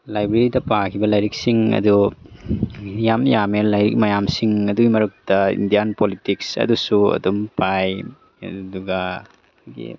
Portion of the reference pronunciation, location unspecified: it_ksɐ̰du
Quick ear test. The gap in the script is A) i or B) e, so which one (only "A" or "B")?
A